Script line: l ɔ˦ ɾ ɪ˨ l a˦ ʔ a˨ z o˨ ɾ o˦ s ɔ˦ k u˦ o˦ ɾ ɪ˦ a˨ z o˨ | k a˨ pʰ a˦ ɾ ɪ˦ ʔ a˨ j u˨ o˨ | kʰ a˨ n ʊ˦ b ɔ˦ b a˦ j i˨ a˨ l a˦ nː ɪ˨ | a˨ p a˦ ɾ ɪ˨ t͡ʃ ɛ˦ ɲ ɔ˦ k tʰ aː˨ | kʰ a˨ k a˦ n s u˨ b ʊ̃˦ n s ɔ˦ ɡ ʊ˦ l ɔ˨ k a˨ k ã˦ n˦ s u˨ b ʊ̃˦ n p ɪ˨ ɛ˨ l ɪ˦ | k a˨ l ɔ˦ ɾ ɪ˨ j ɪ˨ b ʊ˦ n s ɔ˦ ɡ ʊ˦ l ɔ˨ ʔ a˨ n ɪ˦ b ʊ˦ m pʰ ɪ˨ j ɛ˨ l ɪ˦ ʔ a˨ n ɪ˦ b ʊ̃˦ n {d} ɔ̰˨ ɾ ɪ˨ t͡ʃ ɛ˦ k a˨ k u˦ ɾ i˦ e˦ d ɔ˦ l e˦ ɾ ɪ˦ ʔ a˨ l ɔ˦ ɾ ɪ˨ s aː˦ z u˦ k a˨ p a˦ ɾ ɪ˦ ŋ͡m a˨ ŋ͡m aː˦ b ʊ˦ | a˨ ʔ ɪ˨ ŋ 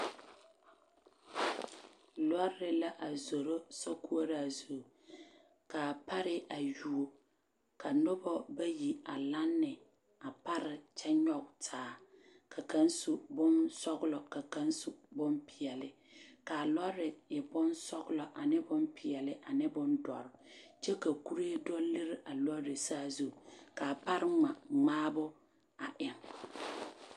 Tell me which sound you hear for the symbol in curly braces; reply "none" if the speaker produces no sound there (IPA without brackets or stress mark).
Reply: d